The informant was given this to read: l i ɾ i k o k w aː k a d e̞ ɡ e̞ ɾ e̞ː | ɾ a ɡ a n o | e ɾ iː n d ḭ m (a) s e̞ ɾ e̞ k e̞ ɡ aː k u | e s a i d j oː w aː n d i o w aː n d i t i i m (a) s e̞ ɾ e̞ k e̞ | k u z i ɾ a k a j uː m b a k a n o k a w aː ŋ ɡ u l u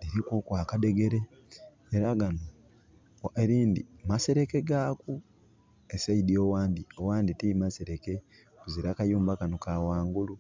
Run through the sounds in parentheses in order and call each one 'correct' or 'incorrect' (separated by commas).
correct, correct